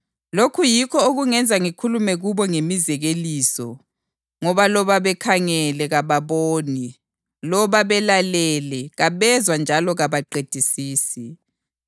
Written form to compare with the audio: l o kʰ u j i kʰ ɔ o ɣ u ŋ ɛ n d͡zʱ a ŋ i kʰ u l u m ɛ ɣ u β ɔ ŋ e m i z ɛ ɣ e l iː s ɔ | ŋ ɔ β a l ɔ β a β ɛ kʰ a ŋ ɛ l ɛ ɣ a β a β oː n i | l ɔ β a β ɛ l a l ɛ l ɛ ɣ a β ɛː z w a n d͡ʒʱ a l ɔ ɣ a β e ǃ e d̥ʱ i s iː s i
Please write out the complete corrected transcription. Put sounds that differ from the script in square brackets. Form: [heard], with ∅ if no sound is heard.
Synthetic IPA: l o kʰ u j i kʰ ɔ o ɣ u ŋ ɛ n d͡zʱ a ŋ i kʰ u l u m ɛ ɣ u β ɔ ŋ e m i z ɛ ɣ e l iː s ɔ | ŋ ɔ β a l ɔ β a β ɛ kʰ a ŋ ɛ l ɛ ɣ a β a β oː n i | l ɔ β a β ɛ l a l ɛ l ɛ ɣ a β [ɛ] z w a n d͡ʒʱ a l ɔ ɣ a β [a] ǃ e d̥ʱ i s iː s i